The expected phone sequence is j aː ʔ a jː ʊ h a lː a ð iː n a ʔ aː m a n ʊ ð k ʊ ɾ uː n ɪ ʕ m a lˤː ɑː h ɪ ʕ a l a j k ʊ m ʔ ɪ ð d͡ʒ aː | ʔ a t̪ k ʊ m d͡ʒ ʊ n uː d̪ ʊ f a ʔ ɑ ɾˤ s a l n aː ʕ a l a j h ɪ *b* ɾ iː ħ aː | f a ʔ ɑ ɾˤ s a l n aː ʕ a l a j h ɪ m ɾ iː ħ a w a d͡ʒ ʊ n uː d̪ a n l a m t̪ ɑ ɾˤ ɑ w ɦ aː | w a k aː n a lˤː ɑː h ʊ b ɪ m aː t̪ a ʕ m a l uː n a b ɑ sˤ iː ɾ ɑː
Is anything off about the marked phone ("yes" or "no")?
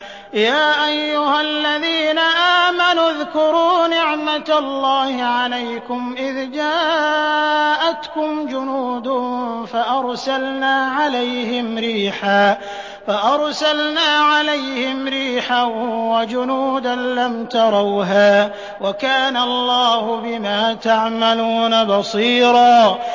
yes